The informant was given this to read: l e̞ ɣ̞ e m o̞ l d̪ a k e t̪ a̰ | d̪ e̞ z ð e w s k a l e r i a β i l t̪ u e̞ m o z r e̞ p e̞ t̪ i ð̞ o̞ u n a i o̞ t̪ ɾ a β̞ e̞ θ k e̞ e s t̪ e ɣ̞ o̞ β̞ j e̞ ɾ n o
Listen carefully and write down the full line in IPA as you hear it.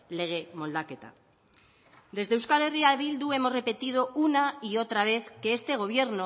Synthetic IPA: l e̞ ɣ̞ e m o̞ l d̪ a k e t̪ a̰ | d̪ e̞ z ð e w s k a l e r i a β i l d̪ u e̞ m o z r e̞ p e̞ t̪ i ð̞ o̞ u n a i o̞ t̪ ɾ a β̞ e̞ θ k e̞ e s t̪ e ɣ̞ o̞ β̞ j e̞ ɾ n o

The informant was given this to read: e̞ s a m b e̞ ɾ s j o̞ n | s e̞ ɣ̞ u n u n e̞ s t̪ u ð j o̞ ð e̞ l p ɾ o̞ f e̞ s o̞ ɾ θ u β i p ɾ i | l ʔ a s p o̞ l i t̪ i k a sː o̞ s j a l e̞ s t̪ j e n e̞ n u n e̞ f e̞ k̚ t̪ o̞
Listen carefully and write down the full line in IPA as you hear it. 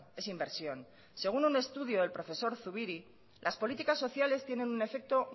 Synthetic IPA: e̞ s i m b e̞ ɾ s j o̞ n | s e̞ ɣ̞ u n u n e̞ s t̪ u ð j o̞ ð e̞ l p ɾ o̞ f e̞ s o̞ ɾ θ u β i ɾ i | l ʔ a s p o̞ l i t̪ i k a sː o̞ θ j a l e̞ s t̪ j e n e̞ n u n e̞ f e̞ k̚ t̪ o̞

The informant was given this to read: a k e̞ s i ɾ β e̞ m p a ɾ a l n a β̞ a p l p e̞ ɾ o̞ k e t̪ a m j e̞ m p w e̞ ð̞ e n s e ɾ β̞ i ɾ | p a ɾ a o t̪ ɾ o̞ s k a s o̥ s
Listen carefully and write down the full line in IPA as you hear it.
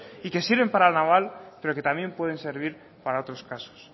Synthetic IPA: i k e̞ s i ɾ β e̞ m p a ɾ a l n a β̞ a l p e̞ ɾ o̞ k e t̪ a m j e̞ m p w e̞ ð̞ e n s e ɾ β̞ i ɾ | p a ɾ a o t̪ ɾ o̞ s k a s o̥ s

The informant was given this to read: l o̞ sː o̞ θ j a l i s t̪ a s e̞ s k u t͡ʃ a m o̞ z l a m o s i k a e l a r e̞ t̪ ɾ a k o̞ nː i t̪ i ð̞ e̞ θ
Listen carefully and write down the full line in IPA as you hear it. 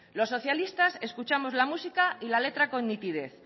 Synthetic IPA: l o̞ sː o̞ θ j a l i s t̪ a s e̞ s k u t͡ʃ a m o̞ z l a m u s i k a i l a l e̞ t̪ ɾ a k o̞ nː i t̪ i ð̞ e̞ θ

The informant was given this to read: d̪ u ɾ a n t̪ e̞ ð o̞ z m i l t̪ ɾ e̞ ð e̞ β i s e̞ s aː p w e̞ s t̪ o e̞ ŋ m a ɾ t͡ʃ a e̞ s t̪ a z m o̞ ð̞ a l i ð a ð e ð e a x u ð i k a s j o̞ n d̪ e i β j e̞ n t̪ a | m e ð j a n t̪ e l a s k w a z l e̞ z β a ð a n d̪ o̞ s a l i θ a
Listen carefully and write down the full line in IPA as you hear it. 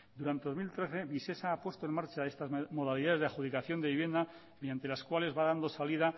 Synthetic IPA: d̪ u ɾ a n t̪ e̞ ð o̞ z m i l t̪ ɾ e̞ θ e̞ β i s e̞ s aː p w e̞ s t̪ o e̞ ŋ m a ɾ t͡ʃ a e̞ s t̪ a z m o̞ ð̞ a l i ð a ð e ð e a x u ð i k a θ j o̞ n d̪ e i β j e̞ n d̪ a | m e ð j a n t̪ e l a s k w a l e̞ z β a ð a n d̪ o̞ s a l i ð a

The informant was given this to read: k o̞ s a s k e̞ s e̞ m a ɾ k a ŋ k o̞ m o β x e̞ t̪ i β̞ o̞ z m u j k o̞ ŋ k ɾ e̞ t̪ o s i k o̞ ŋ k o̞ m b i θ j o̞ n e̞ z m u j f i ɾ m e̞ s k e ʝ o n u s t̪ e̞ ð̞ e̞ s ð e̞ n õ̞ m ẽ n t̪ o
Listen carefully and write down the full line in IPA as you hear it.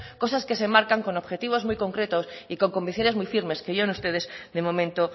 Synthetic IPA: k o̞ s a s k e̞ s e̞ m a ɾ k a ŋ k o̞ n o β x e̞ t̪ i β̞ o̞ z m u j k o̞ ŋ k ɾ e̞ t̪ o s i k o̞ ŋ k o̞ m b i θ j o̞ n e̞ z m u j f i ɾ m e̞ s k e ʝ o n u s t̪ e̞ ð̞ e̞ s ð e̞ m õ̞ m ẽ n t̪ o

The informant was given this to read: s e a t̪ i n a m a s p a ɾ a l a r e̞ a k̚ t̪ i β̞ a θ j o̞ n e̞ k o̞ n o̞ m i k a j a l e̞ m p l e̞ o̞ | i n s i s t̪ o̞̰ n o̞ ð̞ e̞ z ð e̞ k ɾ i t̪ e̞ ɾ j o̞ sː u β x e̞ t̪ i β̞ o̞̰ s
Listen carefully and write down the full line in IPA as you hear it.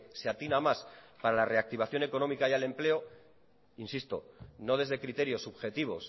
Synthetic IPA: s e a t̪ i n a m a s p a ɾ a l a r e̞ a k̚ t̪ i β̞ a θ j o̞ n e̞ k o̞ n o̞ m i k a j a l e̞ m p l e̞ o̞ | i n s i s t̪ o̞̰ n o̞ ð̞ e̞ z ð e̞ k ɾ i t̪ e̞ ɾ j o̞ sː u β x e̞ t̪ i β̞ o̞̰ s

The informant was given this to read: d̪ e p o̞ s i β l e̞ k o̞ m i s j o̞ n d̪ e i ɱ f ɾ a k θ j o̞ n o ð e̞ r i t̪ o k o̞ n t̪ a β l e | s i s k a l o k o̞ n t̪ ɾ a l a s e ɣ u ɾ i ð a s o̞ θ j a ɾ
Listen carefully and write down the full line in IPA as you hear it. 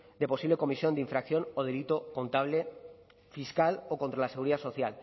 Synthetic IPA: d̪ e p o̞ s i β l e̞ k o̞ m i s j o̞ n d̪ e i ɱ f ɾ a k θ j o̞ n o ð e̞ l i t̪ o k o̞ n t̪ a β l e | f i s k a l o k o̞ n t̪ ɾ a l a s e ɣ u ɾ i ð a s o̞ θ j a l

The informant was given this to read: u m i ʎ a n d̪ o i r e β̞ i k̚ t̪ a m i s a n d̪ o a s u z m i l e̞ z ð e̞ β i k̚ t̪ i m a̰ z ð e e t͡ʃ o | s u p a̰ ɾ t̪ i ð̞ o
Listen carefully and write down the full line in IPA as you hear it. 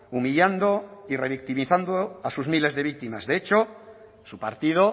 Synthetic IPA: u m i ʎ a n d̪ o i r e β̞ i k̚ t̪ i m i θ a n d̪ o a s u z m i l e̞ z ð e̞ β i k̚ t̪ i m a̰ z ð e e t͡ʃ o | s u p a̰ ɾ t̪ i ð̞ o

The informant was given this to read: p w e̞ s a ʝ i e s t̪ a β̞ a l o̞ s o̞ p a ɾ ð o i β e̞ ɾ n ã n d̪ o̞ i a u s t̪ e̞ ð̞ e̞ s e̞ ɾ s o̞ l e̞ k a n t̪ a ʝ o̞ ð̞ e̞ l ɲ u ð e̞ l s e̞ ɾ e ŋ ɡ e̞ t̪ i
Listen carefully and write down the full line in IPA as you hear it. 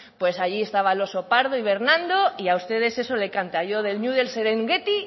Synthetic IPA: p w e̞ s a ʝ i e s t̪ a β̞ a l o̞ s o̞ p a ɾ ð o i β e̞ ɾ n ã n d̪ o̞ i a u s t̪ e̞ ð̞ e̞ s e̞ s o̞ l e̞ k a n t̪ a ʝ o̞ ð̞ e̞ l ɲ u ð e̞ l s e̞ ɾ e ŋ ɡ e̞ t̪ i

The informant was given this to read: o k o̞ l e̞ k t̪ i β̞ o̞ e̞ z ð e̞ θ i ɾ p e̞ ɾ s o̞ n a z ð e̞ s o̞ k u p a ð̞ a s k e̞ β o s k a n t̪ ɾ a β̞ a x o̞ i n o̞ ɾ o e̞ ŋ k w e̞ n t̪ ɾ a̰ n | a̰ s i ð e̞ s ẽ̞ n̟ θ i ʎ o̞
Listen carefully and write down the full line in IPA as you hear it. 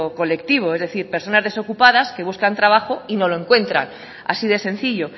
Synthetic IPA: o k o̞ l e̞ k t̪ i β̞ o̞ e̞ z ð e̞ θ i ɾ p e̞ ɾ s o̞ n a z ð e̞ s o̞ k u p a ð̞ a s k e̞ β u s k a n t̪ ɾ a β̞ a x o̞ i n o̞ l o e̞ ŋ k w e̞ n t̪ ɾ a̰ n | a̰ s i ð e̞ s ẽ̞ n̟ θ i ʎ o̞

